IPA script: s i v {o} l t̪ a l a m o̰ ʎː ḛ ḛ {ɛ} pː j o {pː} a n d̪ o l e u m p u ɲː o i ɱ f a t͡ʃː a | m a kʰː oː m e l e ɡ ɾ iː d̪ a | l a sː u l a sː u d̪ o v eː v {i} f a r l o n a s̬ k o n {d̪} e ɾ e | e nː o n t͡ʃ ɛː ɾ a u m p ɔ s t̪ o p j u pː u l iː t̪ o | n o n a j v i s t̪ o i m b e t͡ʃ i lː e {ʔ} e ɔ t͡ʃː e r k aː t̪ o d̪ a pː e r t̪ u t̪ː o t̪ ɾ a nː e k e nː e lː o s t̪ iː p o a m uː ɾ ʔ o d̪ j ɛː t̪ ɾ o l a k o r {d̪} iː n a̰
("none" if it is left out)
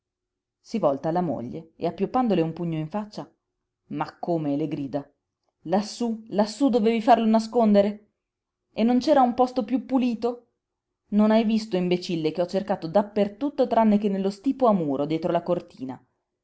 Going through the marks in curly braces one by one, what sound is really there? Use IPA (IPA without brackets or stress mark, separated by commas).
ɔ, a, pː, i, d̪, k, t̪